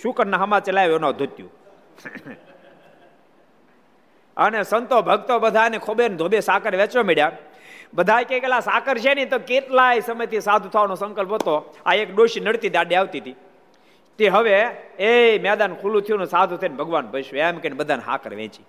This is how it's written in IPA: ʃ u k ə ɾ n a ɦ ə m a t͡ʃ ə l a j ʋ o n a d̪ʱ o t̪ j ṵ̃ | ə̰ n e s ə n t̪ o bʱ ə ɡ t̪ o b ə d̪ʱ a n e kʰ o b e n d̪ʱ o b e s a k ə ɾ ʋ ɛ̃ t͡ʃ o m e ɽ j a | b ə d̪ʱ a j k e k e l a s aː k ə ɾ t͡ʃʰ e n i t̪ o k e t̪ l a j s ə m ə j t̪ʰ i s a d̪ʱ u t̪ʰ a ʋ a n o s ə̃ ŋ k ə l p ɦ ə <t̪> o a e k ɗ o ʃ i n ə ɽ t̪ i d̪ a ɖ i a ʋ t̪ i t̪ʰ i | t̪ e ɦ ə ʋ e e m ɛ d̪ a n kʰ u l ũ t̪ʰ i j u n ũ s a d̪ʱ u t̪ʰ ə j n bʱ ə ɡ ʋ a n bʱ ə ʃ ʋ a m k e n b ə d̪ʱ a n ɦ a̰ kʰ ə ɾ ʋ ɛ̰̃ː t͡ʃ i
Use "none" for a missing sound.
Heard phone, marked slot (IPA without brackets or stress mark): t̪